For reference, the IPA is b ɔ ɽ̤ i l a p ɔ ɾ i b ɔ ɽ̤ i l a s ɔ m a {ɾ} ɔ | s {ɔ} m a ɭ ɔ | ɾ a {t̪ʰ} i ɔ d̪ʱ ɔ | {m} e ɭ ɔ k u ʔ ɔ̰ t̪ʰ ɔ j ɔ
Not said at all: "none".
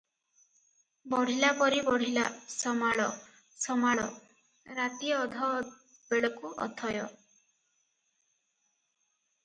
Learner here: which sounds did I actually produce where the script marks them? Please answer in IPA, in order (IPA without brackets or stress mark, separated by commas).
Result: ɭ, ɔ, t̪, b